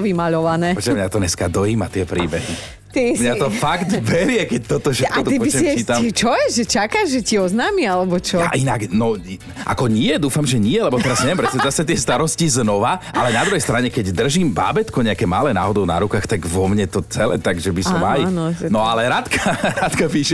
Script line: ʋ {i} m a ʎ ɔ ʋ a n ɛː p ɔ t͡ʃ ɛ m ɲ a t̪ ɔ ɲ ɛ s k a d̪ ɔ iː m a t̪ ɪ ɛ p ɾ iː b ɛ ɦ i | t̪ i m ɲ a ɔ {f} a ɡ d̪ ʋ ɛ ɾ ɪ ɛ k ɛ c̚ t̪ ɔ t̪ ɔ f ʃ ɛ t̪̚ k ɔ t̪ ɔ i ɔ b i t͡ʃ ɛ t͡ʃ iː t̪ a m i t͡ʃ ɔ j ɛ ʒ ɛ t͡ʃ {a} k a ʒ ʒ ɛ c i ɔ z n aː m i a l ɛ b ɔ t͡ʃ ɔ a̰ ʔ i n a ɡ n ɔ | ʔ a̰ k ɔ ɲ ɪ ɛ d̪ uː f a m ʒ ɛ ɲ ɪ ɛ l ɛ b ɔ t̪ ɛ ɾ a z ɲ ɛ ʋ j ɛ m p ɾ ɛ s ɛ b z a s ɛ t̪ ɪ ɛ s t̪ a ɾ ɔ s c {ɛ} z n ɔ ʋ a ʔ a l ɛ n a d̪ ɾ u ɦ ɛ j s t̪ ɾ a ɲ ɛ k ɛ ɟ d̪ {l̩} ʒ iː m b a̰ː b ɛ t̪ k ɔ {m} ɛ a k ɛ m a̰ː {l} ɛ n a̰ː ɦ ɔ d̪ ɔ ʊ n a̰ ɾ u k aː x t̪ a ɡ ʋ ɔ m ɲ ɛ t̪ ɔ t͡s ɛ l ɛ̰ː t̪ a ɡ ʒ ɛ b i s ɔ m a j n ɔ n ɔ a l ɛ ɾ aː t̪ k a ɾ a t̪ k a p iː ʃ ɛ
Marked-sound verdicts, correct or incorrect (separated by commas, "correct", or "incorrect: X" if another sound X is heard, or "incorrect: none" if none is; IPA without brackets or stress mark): correct, correct, correct, incorrect: i, incorrect: r̩, incorrect: ɲ, correct